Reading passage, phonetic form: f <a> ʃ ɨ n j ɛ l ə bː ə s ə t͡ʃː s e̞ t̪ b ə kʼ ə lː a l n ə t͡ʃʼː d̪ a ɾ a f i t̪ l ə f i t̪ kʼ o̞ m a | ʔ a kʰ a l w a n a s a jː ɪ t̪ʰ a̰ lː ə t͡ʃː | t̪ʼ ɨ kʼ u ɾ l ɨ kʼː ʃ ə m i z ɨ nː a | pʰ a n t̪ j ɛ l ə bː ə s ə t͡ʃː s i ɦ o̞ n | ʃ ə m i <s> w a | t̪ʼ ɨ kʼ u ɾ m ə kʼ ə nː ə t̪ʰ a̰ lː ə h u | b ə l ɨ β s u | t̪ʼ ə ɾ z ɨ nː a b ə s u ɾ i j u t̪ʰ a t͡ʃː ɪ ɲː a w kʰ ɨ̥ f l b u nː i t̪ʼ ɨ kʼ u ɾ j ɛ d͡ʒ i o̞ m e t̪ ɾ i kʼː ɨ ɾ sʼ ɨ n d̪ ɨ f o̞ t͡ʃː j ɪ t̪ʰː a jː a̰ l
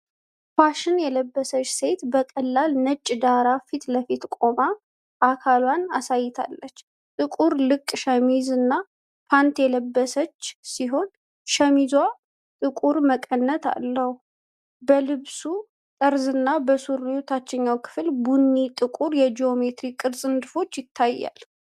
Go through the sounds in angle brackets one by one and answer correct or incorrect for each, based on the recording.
correct, incorrect

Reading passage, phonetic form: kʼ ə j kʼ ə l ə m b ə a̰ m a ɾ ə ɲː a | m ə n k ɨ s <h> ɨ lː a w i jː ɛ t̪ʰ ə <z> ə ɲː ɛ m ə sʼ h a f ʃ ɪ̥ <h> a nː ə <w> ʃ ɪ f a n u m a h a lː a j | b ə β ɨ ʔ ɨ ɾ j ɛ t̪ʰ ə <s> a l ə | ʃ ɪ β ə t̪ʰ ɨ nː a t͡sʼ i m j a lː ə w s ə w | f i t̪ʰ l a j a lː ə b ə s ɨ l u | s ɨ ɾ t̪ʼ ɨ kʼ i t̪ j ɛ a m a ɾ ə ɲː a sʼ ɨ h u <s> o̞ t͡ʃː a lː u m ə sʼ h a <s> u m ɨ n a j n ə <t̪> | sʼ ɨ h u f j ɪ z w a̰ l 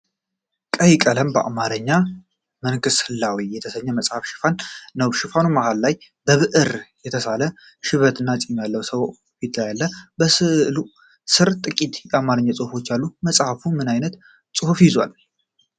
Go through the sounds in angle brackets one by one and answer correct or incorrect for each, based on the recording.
correct, incorrect, incorrect, correct, correct, incorrect, incorrect, correct

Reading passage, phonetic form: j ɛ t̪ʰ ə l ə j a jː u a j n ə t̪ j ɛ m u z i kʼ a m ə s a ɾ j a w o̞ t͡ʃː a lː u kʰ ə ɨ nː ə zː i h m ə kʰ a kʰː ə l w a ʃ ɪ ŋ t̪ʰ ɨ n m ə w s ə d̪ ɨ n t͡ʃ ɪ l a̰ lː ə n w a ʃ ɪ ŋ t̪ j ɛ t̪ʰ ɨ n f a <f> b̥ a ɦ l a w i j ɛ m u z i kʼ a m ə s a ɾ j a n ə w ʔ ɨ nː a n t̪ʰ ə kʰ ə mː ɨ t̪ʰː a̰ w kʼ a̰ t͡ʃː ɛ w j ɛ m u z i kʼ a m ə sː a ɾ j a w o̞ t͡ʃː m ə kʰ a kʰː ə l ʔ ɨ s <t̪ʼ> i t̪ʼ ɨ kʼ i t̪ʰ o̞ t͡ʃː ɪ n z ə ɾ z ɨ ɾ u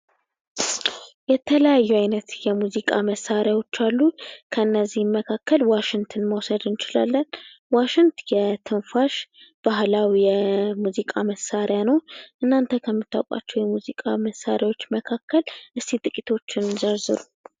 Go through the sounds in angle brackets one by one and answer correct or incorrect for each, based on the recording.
incorrect, incorrect

